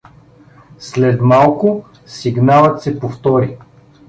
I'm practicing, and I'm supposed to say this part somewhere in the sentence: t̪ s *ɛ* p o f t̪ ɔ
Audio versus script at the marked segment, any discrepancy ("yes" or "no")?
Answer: no